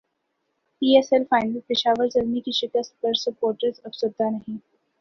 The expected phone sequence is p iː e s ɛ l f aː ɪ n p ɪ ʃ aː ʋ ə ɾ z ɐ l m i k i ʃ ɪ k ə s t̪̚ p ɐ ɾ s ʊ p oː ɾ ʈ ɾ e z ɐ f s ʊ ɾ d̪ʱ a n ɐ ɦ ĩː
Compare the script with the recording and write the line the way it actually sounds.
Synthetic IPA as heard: p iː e s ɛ l f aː ɪ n p ɪ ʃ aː ʋ ə ɾ z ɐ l m i k i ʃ ɪ k ə s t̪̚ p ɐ ɾ s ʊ p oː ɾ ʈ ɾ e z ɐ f s ʊ ɾ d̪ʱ a n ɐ ɦ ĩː